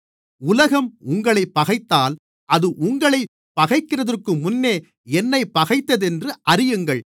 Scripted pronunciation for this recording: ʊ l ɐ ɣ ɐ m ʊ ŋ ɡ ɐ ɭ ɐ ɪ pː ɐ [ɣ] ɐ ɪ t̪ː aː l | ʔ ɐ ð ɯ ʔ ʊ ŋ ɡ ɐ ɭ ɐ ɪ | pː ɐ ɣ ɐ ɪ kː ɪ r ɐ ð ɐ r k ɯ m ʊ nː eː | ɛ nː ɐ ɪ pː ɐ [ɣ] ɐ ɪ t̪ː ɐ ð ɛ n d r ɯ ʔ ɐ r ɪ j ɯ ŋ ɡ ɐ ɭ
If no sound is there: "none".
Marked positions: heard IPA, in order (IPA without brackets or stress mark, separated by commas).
ɣ, ɣ